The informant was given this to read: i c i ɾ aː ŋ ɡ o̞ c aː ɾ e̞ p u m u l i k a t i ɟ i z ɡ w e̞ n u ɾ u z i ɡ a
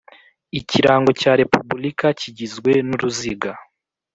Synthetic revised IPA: i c i ɾ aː ŋ ɡ o̞ c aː ɾ e̞ p u b u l i k a c i ɟ i z ɡ w e̞ n u ɾ u z i ɡ a